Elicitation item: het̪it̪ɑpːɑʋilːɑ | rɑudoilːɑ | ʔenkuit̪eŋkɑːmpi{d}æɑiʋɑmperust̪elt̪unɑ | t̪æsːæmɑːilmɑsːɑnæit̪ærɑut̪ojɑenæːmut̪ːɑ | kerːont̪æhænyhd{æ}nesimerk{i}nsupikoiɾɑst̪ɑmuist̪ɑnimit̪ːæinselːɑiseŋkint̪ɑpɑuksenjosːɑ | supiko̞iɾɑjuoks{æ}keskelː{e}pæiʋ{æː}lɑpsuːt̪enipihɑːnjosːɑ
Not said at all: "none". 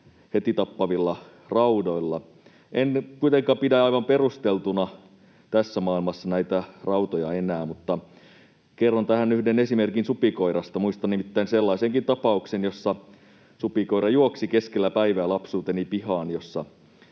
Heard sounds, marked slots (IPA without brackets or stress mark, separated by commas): d, e, i, i, æ, æː